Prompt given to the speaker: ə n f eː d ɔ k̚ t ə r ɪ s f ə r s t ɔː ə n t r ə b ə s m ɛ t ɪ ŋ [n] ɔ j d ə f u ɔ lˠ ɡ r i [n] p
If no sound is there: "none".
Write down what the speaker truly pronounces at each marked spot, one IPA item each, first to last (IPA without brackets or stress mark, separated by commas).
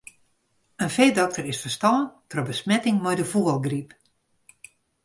m, none